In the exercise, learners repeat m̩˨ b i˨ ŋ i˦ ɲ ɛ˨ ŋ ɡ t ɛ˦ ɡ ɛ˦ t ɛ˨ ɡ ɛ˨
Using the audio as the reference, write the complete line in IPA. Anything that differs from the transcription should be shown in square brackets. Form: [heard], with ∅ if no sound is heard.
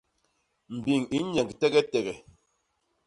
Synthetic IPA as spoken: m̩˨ b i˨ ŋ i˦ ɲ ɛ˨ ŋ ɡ t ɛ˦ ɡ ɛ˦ t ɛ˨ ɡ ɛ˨